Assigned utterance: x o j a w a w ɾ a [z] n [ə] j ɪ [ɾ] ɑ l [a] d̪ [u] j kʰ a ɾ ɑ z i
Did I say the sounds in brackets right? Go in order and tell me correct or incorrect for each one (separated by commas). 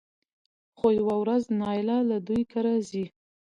correct, incorrect, incorrect, correct, correct